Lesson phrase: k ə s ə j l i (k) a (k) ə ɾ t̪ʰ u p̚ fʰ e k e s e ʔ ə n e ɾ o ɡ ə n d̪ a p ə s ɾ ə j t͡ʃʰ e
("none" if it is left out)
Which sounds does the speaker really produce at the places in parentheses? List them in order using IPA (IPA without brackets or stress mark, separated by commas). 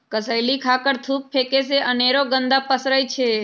kʰ, k